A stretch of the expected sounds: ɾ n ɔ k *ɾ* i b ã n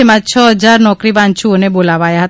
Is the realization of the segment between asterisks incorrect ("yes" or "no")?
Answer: no